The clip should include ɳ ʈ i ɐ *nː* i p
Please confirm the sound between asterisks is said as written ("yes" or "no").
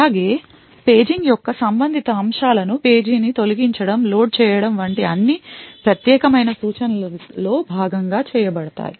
yes